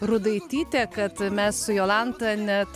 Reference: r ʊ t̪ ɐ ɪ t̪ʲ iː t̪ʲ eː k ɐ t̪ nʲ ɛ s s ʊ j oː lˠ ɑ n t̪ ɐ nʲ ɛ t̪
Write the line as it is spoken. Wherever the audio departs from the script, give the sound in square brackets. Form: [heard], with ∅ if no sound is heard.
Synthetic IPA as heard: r ʊ [d̪] ɐ ɪ t̪ʲ iː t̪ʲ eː k ɐ t̪ [mʲ] ɛ s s ʊ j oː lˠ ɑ n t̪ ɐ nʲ ɛ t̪